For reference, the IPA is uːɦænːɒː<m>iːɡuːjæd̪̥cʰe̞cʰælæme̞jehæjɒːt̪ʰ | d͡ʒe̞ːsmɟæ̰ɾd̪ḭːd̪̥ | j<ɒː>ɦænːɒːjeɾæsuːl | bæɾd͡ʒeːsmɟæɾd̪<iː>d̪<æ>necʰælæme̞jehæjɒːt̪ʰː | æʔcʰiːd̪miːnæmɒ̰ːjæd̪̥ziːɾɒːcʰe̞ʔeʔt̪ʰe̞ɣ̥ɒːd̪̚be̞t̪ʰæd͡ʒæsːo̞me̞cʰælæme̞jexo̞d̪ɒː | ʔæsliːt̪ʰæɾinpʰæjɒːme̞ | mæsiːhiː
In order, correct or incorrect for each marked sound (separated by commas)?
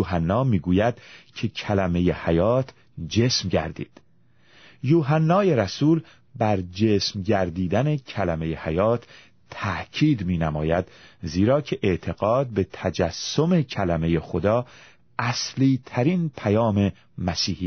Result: correct, incorrect, correct, correct